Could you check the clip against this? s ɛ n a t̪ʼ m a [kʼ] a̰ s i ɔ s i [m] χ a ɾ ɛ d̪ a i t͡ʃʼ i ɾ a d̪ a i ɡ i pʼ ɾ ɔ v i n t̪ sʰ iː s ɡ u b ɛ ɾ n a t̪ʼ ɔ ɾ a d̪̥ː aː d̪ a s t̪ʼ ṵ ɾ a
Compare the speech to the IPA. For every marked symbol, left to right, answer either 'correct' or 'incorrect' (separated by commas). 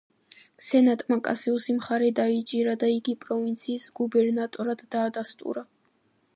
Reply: correct, correct